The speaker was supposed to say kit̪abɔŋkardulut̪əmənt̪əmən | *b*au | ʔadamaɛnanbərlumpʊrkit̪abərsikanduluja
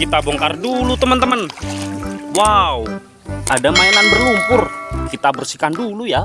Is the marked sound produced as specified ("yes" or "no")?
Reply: no